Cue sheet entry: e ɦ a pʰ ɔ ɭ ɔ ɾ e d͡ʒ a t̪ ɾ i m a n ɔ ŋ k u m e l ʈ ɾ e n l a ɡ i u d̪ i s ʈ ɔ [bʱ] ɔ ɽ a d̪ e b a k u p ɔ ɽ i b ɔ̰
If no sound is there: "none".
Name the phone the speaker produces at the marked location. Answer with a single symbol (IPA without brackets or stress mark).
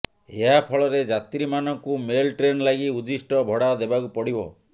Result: bʱ